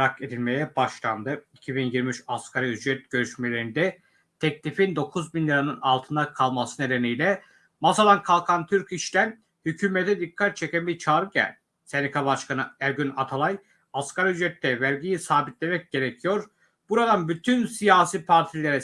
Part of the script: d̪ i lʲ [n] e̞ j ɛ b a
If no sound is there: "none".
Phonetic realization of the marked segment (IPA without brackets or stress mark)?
m